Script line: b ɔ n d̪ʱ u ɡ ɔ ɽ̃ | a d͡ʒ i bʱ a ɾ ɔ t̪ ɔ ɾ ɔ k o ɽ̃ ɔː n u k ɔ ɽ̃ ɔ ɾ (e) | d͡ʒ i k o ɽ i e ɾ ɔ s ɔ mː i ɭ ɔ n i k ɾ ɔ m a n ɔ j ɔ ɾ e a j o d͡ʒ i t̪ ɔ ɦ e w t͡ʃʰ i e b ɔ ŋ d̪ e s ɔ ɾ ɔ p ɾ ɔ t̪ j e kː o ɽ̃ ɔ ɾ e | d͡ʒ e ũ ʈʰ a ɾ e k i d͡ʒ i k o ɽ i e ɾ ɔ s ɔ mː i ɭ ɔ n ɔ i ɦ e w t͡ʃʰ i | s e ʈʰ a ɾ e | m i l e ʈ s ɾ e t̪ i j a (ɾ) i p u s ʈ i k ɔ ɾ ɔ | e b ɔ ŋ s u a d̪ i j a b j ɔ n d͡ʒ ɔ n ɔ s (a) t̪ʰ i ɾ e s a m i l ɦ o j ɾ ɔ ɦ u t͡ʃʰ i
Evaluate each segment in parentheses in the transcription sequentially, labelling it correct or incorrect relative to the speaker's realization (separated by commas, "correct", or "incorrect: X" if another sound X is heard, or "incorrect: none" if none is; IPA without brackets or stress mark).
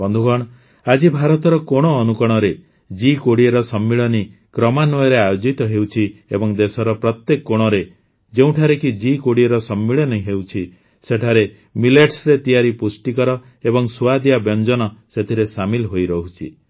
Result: correct, correct, incorrect: e